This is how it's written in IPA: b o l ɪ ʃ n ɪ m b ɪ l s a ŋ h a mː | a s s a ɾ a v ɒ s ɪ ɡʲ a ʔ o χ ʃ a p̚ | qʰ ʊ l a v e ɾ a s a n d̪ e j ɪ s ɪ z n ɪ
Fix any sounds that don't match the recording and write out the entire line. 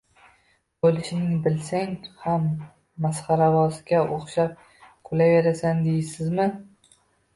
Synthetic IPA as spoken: b o l ɪ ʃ n ɪ ŋ b ɪ l s a ŋ h a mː | a s χ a ɾ a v ɒ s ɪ ɡʲ a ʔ o χ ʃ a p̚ | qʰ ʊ l a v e ɾ a s a n d̪ e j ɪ s ɪ z m ɪ

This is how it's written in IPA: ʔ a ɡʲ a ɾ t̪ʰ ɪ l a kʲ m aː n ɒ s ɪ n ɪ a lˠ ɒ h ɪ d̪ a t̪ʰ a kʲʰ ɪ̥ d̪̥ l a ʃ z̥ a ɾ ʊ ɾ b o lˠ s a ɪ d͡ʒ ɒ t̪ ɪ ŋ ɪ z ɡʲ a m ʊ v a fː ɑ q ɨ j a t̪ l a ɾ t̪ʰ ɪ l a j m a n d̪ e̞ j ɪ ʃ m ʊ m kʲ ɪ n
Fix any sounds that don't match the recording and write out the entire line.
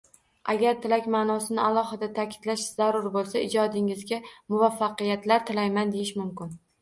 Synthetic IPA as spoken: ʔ a ɡʲ a ɾ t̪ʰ ɪ l a kʲ m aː n ɒ s ɪ n ɪ a lˠ ɒ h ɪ d̪ a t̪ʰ a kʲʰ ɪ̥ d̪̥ l a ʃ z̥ a ɾ ʊ ɾ b o lˠ s a ɪ d͡ʒ ɒ d̪ ɪ ŋ ɪ z ɡʲ a m ʊ v a fː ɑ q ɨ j a t̪ l a ɾ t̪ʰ ɪ l a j m a n d̪ e̞ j ɪ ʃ m ʊ m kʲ ɪ n

